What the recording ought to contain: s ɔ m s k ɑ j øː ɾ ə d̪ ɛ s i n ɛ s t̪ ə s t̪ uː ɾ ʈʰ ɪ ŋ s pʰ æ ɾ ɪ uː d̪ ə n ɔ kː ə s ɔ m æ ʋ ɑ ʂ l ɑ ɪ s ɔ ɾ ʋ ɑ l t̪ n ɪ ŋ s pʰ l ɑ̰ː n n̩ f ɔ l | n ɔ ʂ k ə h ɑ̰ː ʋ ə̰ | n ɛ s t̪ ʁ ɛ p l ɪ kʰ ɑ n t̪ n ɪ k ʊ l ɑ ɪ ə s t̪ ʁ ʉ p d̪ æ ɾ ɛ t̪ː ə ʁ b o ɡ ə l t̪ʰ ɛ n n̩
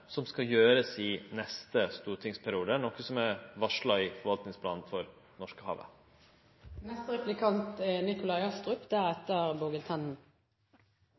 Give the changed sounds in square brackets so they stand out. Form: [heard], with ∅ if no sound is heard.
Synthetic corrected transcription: s ɔ m s k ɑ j øː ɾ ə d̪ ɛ s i n ɛ s t̪ ə s t̪ uː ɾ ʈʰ ɪ ŋ s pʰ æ ɾ ɪ uː d̪ ə n ɔ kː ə s ɔ m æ ʋ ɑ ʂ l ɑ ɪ [f] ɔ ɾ ʋ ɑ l t̪ n ɪ ŋ s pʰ l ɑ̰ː n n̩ f ɔ [ɾ] | n ɔ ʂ k ə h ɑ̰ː ʋ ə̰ | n ɛ s t̪ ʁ ɛ p l ɪ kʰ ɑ n t̪ n ɪ k ʊ l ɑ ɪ [ɑ] s t̪ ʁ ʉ p d̪ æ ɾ ɛ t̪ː ə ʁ b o ɡ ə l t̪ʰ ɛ n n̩